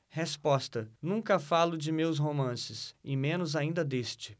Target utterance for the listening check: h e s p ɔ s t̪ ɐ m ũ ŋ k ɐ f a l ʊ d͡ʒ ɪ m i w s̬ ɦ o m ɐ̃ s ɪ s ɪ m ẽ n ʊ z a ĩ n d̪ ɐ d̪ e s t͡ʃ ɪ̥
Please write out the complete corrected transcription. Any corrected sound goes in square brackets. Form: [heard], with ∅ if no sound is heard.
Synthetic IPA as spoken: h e s p ɔ s t̪ ɐ [n] ũ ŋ k ɐ f a l ʊ d͡ʒ ɪ m [e] w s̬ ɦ o m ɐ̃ s ɪ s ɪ m ẽ n ʊ z a ĩ n d̪ ɐ d̪ e s t͡ʃ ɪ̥